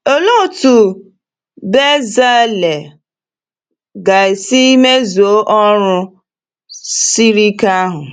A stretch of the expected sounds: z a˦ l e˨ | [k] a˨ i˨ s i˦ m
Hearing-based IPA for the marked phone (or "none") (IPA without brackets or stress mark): ɡ